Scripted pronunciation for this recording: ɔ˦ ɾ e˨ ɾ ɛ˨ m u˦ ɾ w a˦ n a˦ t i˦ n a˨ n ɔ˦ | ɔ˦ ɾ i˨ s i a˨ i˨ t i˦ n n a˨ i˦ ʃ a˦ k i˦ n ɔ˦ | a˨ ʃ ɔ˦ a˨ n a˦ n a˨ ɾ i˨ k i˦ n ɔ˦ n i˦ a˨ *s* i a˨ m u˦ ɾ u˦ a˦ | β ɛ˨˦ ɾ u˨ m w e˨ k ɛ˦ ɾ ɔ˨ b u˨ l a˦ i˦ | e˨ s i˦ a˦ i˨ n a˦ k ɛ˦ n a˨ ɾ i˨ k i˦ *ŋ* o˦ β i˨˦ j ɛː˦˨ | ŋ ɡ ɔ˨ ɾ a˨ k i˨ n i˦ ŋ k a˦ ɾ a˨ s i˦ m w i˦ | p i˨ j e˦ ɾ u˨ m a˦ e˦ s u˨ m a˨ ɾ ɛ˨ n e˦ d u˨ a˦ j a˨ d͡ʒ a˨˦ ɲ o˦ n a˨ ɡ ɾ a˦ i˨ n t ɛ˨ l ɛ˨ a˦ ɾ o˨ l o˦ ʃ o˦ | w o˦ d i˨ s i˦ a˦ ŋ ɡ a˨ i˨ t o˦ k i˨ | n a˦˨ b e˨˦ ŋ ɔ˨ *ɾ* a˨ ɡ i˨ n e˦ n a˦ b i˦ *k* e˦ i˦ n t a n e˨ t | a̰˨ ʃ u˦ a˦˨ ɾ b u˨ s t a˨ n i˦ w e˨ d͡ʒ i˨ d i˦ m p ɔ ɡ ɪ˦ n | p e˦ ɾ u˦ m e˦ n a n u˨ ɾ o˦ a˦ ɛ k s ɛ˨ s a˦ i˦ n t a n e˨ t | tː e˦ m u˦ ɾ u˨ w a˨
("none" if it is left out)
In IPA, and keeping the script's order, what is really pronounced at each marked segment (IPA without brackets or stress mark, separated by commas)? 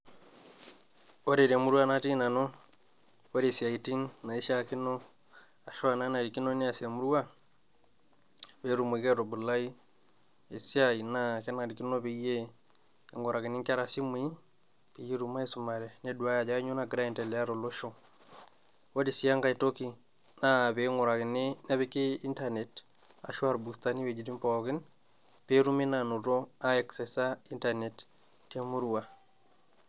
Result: s, n, ɾ, k